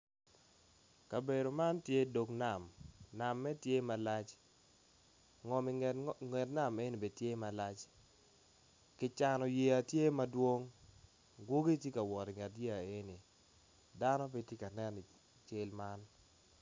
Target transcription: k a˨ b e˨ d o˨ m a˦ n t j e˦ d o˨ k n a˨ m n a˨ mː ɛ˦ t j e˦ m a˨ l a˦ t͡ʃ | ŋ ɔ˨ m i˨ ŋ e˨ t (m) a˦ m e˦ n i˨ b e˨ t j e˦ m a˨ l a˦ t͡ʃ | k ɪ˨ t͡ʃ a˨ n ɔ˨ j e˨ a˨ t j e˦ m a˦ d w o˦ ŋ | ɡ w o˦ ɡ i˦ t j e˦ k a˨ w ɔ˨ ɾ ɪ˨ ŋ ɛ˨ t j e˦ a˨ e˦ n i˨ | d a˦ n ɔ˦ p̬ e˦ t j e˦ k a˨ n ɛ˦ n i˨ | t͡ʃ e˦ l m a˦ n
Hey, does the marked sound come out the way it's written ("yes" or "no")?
no